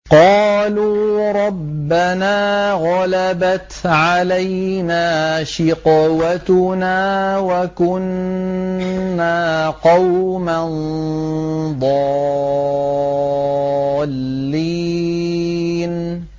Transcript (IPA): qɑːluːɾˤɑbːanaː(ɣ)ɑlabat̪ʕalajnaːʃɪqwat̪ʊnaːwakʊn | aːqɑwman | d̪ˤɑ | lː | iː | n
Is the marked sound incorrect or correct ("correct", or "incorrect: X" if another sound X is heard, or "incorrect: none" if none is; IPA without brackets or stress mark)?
correct